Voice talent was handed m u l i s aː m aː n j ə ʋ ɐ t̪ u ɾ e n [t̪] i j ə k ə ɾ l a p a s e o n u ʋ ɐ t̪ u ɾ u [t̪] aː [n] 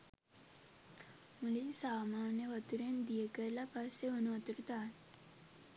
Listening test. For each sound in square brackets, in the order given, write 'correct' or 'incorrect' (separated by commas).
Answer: incorrect, correct, correct